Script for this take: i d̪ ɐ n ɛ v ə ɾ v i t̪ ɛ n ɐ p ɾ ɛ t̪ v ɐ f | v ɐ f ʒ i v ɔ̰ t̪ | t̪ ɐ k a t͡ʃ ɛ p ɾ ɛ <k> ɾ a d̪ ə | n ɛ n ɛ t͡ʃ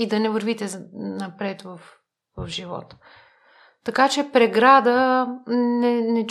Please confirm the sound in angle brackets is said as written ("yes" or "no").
no